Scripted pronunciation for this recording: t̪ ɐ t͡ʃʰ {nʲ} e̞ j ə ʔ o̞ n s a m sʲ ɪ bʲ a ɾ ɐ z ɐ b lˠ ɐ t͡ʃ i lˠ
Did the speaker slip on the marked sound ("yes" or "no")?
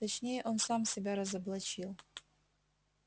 no